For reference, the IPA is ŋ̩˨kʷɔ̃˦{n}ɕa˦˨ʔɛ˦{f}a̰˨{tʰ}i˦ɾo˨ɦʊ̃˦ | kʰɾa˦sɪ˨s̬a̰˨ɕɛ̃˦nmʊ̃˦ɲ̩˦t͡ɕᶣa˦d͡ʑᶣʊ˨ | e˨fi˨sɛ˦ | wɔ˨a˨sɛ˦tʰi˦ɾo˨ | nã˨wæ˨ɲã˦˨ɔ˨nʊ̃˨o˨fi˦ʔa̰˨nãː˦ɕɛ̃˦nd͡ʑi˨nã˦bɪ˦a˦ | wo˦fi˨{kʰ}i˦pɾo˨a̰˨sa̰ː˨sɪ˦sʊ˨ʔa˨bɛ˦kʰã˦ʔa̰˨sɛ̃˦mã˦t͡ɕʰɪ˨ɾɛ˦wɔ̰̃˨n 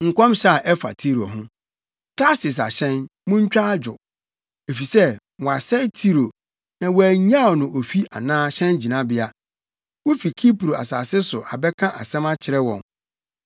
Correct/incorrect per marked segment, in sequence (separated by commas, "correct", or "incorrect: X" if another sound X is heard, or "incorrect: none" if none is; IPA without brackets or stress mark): incorrect: m, correct, correct, correct